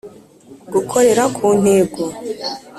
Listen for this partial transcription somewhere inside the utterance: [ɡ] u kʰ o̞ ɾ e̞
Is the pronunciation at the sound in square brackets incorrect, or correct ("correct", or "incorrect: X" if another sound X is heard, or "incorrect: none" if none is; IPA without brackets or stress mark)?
correct